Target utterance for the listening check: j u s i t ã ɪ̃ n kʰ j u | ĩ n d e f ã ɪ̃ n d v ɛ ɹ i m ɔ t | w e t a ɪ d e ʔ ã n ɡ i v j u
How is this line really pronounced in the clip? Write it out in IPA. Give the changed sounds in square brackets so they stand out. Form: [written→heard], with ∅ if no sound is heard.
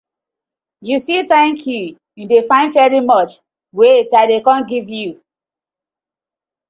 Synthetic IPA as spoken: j u s i t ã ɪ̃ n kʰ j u | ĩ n d e f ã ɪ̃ n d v ɛ ɹ i m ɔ [t→t͡ʃ] | w e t a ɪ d e [ʔ→k] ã n ɡ i v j u